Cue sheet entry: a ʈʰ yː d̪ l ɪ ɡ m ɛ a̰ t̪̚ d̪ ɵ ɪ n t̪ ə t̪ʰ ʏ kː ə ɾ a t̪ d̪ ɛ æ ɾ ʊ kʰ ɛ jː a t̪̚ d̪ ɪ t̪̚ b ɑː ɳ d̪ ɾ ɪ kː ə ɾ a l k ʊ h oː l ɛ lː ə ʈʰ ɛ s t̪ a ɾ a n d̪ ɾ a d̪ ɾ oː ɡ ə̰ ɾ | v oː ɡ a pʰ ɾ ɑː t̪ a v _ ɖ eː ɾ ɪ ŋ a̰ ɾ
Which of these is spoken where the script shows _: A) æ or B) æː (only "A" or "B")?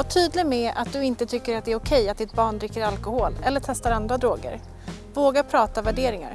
A